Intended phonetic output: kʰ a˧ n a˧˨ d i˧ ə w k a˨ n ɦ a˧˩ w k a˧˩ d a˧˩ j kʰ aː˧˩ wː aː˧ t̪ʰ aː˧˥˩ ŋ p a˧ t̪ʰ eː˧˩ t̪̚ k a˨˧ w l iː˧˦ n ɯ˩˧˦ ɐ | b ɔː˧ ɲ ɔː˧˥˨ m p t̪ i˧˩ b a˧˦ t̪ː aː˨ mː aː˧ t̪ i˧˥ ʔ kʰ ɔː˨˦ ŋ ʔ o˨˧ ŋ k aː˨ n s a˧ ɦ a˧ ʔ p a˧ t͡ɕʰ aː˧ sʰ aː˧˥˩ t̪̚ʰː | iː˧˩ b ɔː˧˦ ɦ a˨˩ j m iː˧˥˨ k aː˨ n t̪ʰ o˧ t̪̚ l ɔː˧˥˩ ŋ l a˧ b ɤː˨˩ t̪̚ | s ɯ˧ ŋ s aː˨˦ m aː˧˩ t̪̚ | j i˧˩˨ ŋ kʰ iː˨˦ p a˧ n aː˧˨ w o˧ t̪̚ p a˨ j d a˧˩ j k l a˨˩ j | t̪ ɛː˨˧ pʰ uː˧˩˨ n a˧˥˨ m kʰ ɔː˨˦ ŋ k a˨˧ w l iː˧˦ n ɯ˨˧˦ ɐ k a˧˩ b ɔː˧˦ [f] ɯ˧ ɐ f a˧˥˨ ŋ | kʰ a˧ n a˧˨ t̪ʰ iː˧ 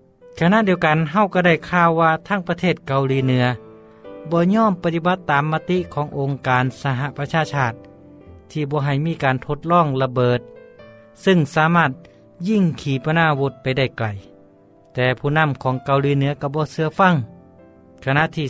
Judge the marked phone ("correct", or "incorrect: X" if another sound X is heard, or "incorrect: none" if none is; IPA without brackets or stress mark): incorrect: s